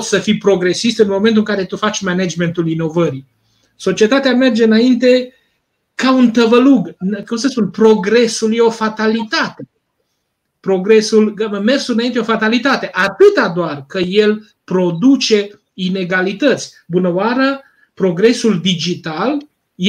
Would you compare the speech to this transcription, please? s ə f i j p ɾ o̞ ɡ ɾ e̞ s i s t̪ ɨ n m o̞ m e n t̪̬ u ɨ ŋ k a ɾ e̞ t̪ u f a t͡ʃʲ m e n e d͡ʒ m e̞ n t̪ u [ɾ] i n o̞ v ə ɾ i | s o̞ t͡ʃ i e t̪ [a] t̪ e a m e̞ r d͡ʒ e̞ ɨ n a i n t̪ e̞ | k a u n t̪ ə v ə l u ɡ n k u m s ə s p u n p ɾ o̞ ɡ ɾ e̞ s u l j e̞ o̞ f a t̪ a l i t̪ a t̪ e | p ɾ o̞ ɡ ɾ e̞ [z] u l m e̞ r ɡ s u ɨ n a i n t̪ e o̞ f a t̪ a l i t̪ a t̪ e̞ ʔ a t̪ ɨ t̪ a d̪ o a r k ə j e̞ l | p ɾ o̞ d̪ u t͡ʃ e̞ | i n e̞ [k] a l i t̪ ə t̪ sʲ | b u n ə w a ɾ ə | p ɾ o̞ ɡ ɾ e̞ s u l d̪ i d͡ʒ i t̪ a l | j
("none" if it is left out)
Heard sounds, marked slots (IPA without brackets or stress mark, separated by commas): l, a, s, ɡ